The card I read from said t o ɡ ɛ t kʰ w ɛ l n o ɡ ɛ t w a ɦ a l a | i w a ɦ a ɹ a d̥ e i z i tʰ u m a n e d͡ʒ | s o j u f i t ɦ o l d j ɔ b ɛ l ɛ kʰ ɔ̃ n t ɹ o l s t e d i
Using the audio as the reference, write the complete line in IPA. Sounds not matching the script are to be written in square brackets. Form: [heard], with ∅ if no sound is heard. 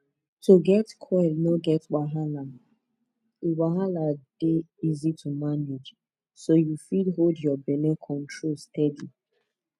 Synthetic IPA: t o ɡ ɛ t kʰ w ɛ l n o ɡ ɛ t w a ɦ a l a | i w a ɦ a [l] a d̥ e i z i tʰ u m a n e d͡ʒ | s o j u f i [d] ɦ o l d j ɔ b ɛ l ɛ kʰ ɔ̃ n t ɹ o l s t [ɛ] d i